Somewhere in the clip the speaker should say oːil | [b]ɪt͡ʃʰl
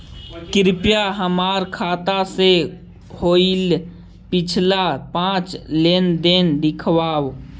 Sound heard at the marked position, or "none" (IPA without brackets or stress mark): p